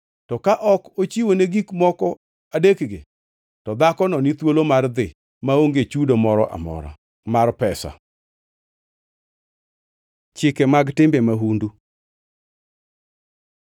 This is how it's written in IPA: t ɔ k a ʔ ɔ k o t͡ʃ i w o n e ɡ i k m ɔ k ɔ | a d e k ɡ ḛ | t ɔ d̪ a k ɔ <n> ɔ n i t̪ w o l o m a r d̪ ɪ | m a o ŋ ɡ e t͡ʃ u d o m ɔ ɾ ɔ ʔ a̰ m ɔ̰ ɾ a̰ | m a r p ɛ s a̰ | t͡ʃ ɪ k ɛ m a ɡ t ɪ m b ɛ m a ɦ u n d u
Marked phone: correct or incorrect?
correct